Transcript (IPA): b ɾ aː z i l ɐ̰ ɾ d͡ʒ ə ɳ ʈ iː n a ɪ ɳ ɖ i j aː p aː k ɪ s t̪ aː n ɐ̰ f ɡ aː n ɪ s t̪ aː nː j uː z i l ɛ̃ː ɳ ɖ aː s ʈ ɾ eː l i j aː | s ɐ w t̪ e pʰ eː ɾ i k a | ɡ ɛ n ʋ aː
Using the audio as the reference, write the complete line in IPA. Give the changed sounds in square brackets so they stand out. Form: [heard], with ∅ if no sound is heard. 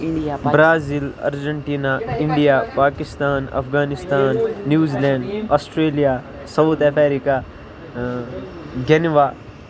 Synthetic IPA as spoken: b ɾ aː z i l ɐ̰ ɾ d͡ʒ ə ɳ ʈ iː n a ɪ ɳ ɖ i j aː p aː k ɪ s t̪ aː n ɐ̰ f ɡ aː n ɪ s t̪ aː nː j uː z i l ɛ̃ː ɳ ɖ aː s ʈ ɾ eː l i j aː | s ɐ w t̪ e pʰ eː ɾ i k a | ɡ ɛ n ʋ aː